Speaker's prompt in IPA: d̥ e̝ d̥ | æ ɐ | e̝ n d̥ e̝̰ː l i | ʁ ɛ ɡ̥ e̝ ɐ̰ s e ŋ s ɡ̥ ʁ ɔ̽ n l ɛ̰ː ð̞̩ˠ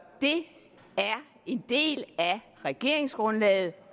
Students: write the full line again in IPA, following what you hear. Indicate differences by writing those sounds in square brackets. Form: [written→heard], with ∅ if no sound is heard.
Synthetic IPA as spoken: d̥ e̝ [d̥→∅] | æ ɐ | e̝ n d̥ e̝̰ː l [i→æ] | ʁ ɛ ɡ̥ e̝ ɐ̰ [s→∅] e ŋ s ɡ̥ ʁ ɔ̽ n l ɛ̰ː ð̞̩ˠ